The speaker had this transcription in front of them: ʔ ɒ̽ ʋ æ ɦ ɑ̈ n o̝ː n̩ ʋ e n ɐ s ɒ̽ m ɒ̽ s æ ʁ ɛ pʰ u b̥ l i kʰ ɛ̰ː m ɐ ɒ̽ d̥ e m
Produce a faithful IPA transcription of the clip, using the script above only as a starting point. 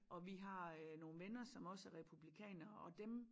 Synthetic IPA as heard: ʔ ɒ̽ ʋ i ɦ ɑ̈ n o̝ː n̩ ʋ e n ɐ s ɒ̽ m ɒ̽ s æ ʁ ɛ pʰ u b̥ l i kʰ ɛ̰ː n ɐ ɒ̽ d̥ e m